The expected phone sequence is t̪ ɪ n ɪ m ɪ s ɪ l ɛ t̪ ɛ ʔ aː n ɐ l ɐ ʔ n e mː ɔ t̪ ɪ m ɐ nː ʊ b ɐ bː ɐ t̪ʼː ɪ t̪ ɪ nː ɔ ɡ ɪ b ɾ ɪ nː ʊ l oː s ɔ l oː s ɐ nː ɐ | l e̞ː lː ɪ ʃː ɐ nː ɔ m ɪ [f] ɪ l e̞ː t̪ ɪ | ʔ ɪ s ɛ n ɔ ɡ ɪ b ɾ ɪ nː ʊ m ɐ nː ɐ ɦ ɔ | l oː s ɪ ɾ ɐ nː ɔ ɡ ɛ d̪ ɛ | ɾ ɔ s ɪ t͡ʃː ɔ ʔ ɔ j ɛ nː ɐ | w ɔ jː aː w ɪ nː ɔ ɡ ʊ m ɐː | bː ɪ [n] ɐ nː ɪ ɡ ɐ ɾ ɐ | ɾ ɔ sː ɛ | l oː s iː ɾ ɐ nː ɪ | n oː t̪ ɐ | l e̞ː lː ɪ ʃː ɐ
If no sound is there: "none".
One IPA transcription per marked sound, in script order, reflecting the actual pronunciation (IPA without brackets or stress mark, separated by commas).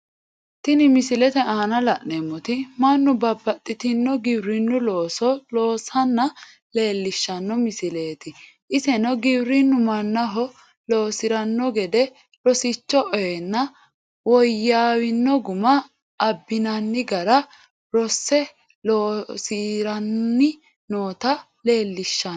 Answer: s, n